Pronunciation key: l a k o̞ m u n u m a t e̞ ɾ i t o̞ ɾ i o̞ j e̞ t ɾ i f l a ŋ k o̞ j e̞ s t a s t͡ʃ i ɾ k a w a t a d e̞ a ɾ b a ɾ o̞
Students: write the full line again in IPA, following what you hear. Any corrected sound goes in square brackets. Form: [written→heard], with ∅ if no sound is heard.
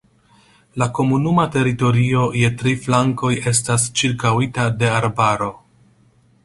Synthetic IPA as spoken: l a k o̞ m u n u m a t e̞ ɾ i t o̞ ɾ i o̞ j e̞ t ɾ i f l a ŋ k o̞ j e̞ s t a s t͡ʃ i ɾ k a w [a→i] t a d e̞ a ɾ b a ɾ o̞